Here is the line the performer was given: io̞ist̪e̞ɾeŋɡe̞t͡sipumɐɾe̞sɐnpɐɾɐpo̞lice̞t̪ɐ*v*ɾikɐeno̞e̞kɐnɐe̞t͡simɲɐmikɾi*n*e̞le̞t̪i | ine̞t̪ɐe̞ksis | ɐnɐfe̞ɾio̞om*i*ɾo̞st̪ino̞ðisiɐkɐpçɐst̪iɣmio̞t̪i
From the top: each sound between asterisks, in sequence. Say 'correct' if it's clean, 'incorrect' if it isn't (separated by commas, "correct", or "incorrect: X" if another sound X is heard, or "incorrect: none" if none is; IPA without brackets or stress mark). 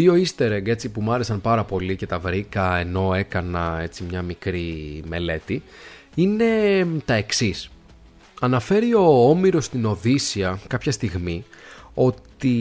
correct, incorrect: m, correct